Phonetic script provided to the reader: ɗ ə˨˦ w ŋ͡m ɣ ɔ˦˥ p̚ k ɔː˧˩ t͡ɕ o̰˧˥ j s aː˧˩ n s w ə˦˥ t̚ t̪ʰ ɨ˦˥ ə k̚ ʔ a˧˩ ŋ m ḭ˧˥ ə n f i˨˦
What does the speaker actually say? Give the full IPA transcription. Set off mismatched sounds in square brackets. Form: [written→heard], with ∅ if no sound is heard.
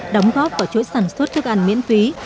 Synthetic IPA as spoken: ɗ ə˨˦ w ŋ͡m ɣ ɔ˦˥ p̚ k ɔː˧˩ t͡ɕ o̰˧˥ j s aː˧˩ n s w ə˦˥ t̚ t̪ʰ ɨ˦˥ ə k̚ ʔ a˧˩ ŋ m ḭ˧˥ ə n f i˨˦